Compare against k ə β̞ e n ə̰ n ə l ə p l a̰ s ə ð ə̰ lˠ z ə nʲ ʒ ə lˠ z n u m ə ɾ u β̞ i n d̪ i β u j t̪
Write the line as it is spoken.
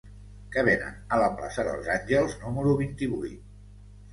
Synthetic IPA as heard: k ə β̞ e n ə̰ n ə l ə p l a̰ s ə ð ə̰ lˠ z a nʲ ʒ ə lˠ z n u m ə ɾ u β̞ i n t̪ i β u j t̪